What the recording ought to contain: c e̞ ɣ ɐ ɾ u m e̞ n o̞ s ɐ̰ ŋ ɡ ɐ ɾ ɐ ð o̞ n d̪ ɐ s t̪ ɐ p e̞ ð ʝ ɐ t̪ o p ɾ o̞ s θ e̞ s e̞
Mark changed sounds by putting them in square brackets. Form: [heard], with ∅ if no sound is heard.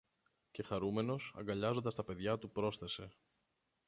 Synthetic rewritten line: c e̞ [x] ɐ ɾ u m e̞ n o̞ s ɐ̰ ŋ ɡ ɐ [ʎ] ɐ [z] o̞ n d̪ ɐ s t̪ ɐ p e̞ ð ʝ ɐ t̪ [u] p ɾ o̞ s θ e̞ s e̞